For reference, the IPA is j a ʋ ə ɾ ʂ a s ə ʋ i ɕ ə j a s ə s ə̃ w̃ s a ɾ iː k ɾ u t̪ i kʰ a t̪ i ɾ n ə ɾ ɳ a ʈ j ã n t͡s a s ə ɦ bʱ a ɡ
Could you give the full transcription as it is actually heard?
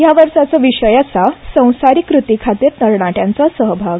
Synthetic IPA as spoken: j a ʋ ə ɾ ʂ a t͡s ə ʋ i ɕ ə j a s a s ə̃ w̃ s a ɾ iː k ɾ u t̪ i kʰ a t̪ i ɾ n ə ɾ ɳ a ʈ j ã n t͡s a s ə ɦ bʱ a ɡ